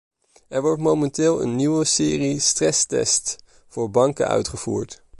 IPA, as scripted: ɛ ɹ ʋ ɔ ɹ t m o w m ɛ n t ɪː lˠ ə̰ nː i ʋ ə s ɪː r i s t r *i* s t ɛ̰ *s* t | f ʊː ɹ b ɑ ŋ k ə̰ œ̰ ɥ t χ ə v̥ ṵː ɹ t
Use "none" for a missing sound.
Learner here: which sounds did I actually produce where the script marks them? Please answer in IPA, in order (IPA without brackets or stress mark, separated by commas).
ɛ, s